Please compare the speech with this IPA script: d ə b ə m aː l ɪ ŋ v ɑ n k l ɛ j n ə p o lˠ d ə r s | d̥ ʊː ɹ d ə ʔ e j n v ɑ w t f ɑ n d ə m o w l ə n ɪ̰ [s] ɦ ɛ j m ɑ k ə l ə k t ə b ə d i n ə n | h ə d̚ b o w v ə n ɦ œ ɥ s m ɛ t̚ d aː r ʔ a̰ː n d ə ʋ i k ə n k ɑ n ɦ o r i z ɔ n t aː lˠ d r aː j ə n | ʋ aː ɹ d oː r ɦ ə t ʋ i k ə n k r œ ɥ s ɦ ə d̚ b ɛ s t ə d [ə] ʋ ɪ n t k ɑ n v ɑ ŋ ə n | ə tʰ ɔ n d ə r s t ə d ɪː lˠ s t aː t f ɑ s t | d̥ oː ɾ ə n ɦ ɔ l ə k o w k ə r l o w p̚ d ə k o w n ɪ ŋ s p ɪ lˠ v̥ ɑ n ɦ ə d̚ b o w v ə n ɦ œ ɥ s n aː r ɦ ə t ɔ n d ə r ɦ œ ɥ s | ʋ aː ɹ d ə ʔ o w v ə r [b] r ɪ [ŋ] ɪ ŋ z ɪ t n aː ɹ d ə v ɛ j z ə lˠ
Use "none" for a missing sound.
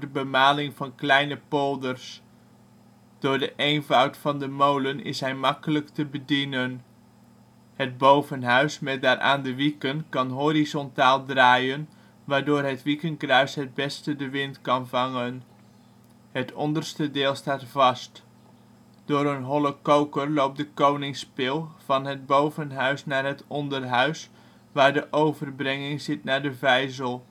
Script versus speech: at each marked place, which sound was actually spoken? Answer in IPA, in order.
s, ə, b, ŋ

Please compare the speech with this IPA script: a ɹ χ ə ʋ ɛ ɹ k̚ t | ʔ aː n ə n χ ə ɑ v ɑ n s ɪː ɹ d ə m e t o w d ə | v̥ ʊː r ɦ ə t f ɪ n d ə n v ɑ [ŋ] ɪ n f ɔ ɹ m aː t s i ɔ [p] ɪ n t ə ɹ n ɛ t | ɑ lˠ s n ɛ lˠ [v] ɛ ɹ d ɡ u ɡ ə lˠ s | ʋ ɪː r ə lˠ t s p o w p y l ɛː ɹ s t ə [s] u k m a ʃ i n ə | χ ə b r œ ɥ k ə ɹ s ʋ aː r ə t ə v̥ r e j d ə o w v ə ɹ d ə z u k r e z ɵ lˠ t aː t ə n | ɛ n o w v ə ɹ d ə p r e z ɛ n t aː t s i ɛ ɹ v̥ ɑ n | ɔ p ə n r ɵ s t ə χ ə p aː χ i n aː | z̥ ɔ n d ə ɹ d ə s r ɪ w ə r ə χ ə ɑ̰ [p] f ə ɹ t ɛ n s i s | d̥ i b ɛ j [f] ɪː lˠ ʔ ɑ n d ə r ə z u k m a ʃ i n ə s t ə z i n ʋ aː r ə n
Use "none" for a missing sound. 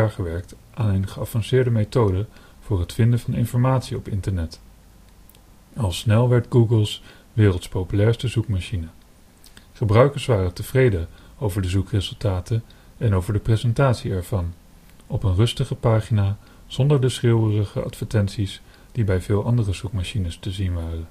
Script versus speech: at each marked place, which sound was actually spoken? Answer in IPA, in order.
n, p, ʋ, z, t, v

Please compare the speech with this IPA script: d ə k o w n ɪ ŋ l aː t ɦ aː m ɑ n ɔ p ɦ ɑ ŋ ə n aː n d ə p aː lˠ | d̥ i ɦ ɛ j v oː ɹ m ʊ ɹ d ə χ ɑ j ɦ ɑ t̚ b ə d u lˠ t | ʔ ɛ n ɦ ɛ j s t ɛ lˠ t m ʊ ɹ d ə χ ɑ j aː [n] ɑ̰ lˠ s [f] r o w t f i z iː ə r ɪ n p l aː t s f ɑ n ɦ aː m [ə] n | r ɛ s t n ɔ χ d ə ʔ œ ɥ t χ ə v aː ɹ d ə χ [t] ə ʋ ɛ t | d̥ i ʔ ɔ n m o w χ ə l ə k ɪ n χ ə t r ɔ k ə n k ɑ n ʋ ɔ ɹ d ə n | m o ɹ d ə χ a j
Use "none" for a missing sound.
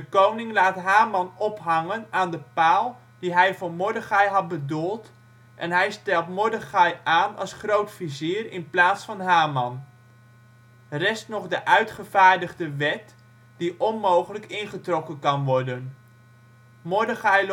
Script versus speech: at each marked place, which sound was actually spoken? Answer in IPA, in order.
n, χ, ɑ, d

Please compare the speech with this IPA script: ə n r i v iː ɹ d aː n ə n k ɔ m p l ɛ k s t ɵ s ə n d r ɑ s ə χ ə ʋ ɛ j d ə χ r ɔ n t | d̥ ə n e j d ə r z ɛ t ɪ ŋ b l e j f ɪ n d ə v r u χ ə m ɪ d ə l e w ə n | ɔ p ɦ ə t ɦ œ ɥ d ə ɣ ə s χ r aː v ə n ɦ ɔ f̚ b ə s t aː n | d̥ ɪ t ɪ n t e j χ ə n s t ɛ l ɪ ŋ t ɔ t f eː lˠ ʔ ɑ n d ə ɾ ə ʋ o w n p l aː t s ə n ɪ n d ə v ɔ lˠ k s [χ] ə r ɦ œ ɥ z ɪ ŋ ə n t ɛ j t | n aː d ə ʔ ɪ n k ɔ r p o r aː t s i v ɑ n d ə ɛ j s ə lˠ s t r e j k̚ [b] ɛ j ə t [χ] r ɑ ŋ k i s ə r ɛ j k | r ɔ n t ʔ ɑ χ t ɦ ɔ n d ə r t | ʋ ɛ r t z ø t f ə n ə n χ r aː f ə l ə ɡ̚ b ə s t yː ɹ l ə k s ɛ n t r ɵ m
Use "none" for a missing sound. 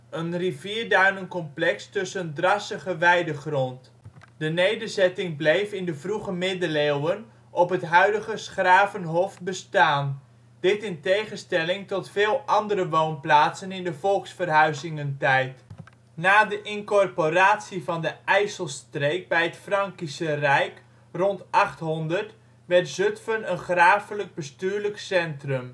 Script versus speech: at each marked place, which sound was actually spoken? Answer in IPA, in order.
f, b, f

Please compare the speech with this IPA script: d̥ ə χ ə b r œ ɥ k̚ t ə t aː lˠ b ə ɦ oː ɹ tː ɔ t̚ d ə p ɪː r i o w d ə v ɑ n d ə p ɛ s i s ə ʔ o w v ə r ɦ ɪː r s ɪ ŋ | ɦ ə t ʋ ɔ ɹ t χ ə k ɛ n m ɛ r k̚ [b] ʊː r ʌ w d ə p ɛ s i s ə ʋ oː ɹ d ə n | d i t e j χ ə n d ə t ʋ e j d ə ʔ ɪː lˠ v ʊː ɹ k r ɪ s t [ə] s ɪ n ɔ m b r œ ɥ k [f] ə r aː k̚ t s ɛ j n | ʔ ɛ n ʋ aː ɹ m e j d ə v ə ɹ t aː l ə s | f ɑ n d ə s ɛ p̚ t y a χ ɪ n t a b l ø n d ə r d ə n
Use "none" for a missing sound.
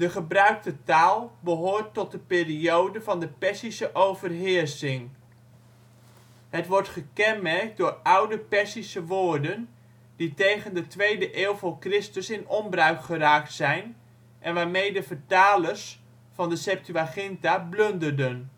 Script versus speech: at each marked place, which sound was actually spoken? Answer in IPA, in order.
d, ə, χ

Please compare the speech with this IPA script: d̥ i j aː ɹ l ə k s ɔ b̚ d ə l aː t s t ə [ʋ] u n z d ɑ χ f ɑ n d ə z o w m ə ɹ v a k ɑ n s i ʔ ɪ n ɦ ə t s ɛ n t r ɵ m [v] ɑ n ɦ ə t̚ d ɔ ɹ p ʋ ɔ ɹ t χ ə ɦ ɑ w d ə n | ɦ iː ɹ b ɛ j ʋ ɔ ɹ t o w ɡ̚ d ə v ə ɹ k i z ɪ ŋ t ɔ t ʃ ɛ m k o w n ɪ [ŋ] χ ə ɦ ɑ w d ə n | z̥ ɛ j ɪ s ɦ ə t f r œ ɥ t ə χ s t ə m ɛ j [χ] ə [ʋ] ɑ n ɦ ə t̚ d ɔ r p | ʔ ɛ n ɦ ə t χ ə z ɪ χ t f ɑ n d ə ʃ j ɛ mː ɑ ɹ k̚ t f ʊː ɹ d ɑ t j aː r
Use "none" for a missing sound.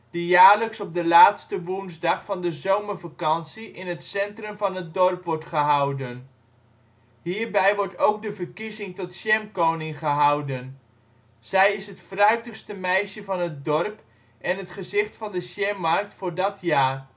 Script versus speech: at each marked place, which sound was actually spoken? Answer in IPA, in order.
ʋ, v, ŋ, ʃ, v

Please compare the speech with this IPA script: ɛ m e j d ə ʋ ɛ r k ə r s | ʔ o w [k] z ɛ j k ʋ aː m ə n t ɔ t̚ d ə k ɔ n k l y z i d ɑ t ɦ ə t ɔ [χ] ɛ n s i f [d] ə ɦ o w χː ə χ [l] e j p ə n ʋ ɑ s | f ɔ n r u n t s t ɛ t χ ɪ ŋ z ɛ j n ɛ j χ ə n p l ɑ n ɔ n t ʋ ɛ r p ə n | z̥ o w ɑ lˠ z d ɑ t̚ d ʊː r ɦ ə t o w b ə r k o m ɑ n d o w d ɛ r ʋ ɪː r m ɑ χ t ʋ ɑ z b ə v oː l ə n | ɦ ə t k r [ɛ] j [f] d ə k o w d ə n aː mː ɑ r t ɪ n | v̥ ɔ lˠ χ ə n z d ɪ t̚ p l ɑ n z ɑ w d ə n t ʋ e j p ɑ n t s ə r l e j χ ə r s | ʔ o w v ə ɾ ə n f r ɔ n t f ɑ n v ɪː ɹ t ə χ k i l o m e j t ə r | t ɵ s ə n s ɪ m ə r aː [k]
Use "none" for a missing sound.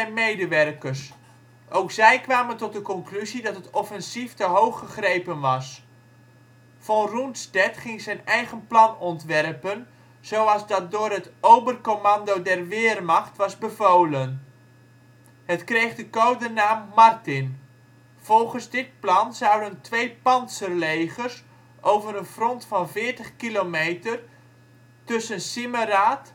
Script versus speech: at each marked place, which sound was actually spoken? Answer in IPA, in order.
k, f, t, r, e, χ, t

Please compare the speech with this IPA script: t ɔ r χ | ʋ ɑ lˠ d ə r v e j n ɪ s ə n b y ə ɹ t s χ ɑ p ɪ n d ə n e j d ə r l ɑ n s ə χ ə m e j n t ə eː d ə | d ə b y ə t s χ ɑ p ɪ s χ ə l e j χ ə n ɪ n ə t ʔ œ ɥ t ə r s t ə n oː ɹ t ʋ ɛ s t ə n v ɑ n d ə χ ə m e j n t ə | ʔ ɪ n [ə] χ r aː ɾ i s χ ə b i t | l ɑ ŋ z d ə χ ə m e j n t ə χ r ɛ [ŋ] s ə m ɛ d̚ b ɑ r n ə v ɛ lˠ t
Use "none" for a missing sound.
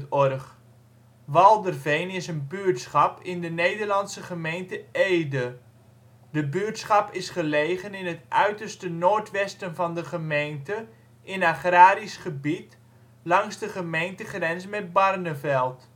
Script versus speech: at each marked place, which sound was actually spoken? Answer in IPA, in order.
a, n

